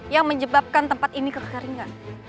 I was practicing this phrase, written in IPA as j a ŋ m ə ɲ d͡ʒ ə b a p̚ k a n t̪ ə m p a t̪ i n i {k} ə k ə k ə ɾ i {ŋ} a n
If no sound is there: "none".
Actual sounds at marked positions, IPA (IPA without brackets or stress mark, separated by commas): k, ŋ